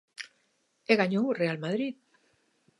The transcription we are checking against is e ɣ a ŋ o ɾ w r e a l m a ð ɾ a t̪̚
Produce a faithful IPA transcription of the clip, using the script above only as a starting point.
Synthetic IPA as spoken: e ɣ a ɲ o w r e a l m a ð ɾ i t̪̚

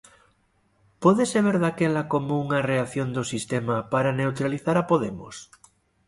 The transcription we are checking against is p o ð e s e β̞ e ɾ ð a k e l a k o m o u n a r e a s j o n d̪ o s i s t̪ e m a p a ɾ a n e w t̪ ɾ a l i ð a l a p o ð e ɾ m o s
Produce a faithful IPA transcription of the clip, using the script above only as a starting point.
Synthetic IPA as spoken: p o ð e s e β̞ e ɾ ð a k e l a k o m o u ŋ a r e a θ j o n d̪ o s i s t̪ e m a p a ɾ a n e w t̪ ɾ a l i θ a ɾ a p o ð e m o s

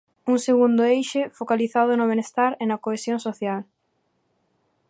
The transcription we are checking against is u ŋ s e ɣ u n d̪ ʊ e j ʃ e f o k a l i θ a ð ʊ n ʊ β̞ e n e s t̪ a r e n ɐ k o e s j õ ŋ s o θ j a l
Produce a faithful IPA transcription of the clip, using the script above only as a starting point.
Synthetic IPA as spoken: u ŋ s e ɣ u n d̪ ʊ e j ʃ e f o k a l i θ a ð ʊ n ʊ β̞ e n e s t̪ a ɾ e n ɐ k o e s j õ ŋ s o θ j a l

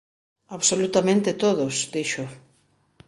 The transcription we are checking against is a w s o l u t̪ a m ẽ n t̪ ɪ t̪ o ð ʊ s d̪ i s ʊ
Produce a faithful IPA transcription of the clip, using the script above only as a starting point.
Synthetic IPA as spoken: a β s o l u t̪ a m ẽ n t̪ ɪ t̪ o ð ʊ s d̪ i ʃ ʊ

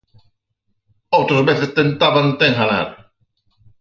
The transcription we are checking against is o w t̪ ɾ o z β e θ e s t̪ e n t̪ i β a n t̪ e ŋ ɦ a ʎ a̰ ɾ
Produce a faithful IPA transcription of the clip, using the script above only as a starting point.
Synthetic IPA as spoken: o w t̪ ɾ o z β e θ e s t̪ e n t̪ a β a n t̪ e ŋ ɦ a l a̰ ɾ

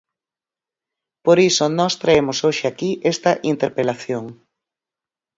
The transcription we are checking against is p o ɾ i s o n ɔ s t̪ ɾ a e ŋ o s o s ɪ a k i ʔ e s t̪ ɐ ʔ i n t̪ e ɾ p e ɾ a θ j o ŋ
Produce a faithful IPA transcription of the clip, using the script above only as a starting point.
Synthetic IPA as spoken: p o ɾ i s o n ɔ s t̪ ɾ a e m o s o ʃ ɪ a k i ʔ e s t̪ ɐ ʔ i n t̪ e ɾ p e l a θ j o ŋ

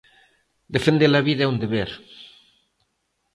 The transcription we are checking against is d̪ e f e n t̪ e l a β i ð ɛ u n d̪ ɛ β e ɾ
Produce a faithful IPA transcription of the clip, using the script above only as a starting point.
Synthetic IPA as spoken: d̪ e f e n d̪ e l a β i ð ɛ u n d̪ e β e ɾ

